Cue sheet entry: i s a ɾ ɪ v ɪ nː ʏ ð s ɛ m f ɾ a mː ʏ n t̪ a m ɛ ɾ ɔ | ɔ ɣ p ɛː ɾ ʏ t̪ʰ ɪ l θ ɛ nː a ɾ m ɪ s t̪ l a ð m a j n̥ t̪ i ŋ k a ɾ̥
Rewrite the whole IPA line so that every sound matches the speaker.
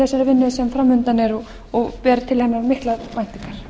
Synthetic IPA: ɛ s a ɾ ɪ v ɪ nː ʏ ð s ɛ m f ɾ a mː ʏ n t̪ a n ɛ ɾ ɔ | ɔ ɣ p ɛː ɾ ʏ t̪ʰ ɪ l h ɛ nː a ɾ m ɪ h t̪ l a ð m a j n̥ t̪ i ŋ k a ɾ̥